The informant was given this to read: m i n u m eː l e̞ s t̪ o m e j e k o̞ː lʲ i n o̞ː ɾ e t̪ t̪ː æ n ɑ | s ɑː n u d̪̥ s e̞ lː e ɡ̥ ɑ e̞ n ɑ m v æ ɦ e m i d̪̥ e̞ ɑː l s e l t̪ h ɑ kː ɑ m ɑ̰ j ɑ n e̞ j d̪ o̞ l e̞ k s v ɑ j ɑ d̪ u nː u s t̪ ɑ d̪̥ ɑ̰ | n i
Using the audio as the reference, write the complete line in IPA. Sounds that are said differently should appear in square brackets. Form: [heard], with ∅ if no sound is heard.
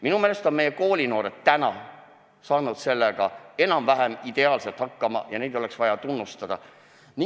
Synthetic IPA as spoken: m i n u m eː l e̞ s t̪ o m e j e k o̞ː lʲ i n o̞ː ɾ e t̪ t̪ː æ n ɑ | s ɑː n u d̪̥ s e̞ lː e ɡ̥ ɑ e̞ n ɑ m v æ ɦ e m i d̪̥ e̞ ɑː l s e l t̪ h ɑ kː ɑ m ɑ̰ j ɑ n e̞ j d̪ o̞ l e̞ k s v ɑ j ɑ [t̪] u nː u s t̪ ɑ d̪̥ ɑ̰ | n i

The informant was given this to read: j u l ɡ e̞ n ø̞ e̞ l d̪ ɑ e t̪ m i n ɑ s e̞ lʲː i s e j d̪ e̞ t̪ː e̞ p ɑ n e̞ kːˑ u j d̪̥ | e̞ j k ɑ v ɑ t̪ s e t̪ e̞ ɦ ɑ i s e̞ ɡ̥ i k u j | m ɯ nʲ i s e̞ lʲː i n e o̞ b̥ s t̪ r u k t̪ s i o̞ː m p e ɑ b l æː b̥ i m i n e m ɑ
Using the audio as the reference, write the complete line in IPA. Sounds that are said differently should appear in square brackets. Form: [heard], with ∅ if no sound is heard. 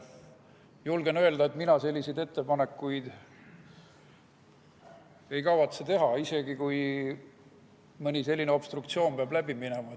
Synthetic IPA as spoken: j u l ɡ e̞ n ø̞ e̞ l d̪ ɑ e t̪ m i n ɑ s e̞ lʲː i s e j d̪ e̞ t̪ː e̞ p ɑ n e̞ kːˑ u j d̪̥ | e̞ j k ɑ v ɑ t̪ s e t̪ e̞ ɦ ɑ i s e̞ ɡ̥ i k u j | m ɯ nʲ i s e̞ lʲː i n e o̞ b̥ s t̪ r u k t̪ s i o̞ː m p e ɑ b l [æ] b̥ i m i n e m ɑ

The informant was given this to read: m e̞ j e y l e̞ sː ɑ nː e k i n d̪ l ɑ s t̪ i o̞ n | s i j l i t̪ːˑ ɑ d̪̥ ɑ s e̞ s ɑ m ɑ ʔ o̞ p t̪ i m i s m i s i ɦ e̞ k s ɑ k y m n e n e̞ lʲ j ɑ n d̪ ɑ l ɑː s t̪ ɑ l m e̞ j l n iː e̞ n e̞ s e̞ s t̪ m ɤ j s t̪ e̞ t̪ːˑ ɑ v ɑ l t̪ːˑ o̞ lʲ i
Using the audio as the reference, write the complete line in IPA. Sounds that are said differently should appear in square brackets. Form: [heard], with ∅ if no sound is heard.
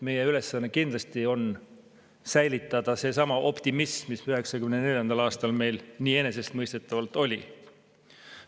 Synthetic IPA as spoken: m e̞ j e y l e̞ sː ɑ nː e k i n d̪ l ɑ s t̪ i o̞ n | s [æ] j l i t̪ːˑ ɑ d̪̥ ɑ s e̞ s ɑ m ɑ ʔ o̞ p t̪ i m i s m i s [y] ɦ e̞ k s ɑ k y m n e n e̞ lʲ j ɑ n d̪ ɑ l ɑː s t̪ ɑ l m e̞ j l n iː e̞ n e̞ s e̞ s t̪ m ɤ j s t̪ e̞ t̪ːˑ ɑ v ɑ l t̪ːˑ o̞ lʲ i

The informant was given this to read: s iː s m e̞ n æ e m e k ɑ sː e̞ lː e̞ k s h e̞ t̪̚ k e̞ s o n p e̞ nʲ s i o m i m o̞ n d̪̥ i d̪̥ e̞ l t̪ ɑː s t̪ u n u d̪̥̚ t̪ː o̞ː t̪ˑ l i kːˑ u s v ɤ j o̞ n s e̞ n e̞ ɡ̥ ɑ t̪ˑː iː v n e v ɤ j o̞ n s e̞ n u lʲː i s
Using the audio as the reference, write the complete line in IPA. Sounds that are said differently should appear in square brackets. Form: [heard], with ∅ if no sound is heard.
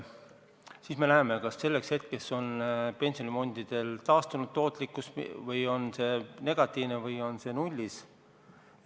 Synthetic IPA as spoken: s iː s m e̞ n æ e m e k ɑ sː e̞ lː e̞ k s h e̞ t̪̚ k e̞ s o n p e̞ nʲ s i o [n] i m o̞ n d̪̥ i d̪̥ e̞ l t̪ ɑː s t̪ u n u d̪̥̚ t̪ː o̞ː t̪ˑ l i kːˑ u s v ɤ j o̞ n s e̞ n e̞ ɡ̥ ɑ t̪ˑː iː v n e v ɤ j o̞ n s e̞ n u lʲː i s

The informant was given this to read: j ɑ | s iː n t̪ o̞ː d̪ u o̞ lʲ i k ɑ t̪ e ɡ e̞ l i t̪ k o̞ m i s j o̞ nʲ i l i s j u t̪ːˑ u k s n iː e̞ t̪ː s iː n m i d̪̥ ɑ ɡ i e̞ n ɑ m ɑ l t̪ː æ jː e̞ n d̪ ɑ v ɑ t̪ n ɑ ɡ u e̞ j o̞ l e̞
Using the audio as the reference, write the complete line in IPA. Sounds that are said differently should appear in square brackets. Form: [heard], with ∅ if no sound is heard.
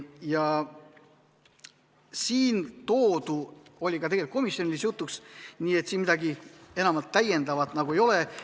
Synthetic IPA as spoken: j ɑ | s iː n t̪ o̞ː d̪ u o̞ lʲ i k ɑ t̪ e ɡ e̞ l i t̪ k o̞ m i s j o̞ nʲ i l i s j u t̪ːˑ u k s n iː e̞ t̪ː s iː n m i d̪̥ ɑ ɡ i e̞ n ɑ m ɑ l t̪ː æ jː e̞ n d̪ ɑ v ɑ t̪ n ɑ ɡ u e̞ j o̞ l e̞

